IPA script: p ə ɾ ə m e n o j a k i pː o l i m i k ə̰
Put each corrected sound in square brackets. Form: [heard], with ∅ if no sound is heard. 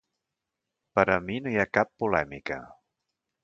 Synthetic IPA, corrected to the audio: p ə ɾ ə m [i] n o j a k [a] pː [u] l [ɛ] m i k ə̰